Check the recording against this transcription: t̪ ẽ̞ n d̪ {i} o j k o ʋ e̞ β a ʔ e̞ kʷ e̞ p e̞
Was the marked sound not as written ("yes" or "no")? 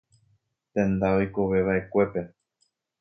yes